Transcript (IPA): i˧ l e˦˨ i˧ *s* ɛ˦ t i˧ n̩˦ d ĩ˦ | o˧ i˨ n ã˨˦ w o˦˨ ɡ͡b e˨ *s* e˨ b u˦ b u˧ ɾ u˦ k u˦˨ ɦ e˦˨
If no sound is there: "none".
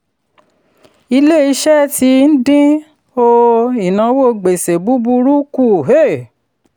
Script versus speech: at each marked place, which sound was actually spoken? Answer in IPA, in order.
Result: ʃ, s

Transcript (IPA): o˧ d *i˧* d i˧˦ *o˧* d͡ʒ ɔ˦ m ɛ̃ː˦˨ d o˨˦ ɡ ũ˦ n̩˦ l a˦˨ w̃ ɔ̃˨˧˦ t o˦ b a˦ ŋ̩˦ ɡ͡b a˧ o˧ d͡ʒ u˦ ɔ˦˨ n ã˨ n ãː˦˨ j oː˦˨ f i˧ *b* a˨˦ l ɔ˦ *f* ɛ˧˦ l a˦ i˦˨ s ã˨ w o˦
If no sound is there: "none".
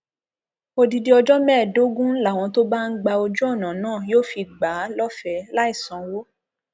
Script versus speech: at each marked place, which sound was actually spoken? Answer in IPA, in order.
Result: i˧, ɔ˧, ɡ͡b, f

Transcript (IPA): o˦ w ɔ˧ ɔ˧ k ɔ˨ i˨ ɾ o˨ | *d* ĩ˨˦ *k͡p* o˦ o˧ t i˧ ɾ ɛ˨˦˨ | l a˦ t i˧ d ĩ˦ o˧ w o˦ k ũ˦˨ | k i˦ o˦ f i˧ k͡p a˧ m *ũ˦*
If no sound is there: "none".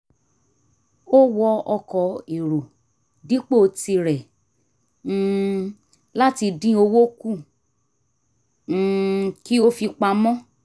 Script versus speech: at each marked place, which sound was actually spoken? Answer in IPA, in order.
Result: d, k͡p, ɔ̃˦

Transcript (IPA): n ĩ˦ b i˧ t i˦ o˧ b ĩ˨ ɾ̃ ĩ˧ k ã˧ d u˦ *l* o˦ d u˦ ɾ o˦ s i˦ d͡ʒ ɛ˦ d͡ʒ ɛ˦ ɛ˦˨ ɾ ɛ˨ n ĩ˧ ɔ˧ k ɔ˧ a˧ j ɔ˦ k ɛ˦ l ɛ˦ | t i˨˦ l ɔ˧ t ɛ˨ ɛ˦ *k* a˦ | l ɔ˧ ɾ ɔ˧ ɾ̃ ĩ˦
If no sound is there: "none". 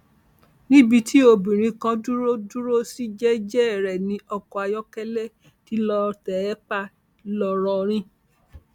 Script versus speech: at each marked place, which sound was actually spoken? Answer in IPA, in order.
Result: ɾ, k͡p

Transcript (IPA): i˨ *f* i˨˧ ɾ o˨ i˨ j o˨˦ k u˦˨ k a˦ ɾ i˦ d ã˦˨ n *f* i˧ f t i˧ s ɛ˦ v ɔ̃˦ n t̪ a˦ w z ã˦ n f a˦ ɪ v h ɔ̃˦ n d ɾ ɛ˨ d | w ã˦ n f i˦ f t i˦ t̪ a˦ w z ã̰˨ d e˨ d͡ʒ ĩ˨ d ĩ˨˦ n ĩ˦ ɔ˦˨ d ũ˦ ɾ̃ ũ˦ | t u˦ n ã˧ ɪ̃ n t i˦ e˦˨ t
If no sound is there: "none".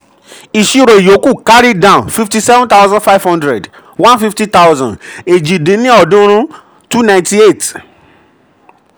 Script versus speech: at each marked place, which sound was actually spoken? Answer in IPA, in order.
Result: ʃ, f

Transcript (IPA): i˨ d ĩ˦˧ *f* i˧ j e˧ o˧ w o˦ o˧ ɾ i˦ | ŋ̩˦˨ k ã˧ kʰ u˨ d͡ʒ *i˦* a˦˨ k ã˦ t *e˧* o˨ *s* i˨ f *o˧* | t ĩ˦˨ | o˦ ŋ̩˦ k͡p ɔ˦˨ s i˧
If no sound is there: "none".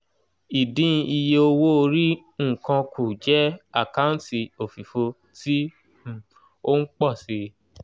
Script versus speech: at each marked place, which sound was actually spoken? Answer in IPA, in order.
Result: none, ɛ˦, i˧, f, o˧

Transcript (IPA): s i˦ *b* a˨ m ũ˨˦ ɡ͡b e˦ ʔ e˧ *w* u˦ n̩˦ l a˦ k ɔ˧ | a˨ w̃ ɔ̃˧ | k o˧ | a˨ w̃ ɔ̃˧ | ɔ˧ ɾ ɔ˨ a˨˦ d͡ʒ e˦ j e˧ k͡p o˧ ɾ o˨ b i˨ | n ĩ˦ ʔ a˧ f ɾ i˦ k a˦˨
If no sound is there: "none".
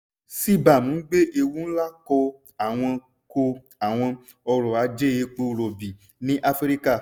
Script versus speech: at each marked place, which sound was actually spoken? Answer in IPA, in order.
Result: b, w

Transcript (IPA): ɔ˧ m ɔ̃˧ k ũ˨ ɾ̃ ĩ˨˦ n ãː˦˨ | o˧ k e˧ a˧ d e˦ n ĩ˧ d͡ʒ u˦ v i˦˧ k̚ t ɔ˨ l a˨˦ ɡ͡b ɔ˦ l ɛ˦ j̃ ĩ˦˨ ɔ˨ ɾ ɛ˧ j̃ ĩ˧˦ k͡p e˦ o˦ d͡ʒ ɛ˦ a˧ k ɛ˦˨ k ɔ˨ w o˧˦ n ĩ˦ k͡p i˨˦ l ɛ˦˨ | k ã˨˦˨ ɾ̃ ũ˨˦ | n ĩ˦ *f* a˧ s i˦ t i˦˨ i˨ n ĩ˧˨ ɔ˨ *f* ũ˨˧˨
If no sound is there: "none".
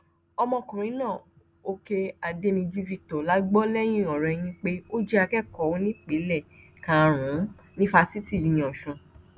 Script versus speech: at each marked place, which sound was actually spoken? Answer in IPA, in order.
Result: f, ʃ

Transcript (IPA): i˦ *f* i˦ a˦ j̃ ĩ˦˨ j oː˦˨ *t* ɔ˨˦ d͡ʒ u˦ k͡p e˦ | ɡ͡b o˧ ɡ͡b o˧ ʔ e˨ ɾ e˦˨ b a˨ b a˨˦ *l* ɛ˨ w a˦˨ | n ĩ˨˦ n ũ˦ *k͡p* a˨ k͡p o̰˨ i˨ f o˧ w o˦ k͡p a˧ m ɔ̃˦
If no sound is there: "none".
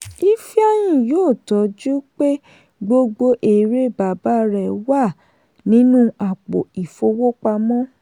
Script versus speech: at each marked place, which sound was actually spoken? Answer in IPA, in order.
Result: f, t, ɾ, none

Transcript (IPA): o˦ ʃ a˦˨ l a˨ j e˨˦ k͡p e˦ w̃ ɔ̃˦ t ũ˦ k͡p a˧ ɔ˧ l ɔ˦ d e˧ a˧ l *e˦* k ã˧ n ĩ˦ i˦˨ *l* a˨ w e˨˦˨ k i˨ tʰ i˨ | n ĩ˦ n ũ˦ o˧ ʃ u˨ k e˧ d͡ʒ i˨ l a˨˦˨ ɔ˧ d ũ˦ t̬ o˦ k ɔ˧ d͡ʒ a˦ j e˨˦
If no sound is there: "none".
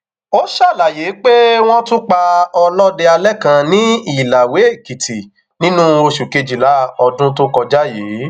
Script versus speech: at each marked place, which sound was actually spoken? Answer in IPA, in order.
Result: ɛ˦, l

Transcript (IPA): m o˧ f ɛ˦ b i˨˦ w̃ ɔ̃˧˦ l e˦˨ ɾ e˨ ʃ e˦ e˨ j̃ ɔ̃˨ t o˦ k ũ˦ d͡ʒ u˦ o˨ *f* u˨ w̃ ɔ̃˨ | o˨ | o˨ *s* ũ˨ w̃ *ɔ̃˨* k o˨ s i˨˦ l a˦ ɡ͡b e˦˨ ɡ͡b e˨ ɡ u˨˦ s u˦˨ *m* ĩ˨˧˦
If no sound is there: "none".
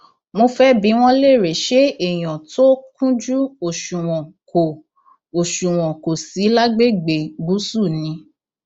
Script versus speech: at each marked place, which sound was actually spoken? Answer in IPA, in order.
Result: ʃ, ʃ, ɔ̃˨, n

